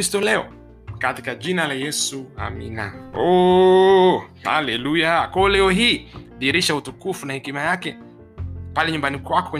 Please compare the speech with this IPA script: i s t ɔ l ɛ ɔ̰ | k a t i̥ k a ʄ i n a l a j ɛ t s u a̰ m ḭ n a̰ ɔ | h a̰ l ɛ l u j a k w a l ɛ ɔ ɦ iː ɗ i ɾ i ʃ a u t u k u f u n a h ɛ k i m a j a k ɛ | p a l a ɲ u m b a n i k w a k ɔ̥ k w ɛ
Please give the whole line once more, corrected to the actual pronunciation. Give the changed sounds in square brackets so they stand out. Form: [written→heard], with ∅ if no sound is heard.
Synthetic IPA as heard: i s t ɔ l ɛ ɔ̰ | k a t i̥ k a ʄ i n a l a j ɛ [t→∅] s u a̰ m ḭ n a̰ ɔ | h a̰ l ɛ l u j a k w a l ɛ ɔ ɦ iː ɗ i ɾ i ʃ a u t u k u f u n a h ɛ k i m a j a k ɛ | p a l [a→ɛ] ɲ u m b a n i k w a k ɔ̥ k w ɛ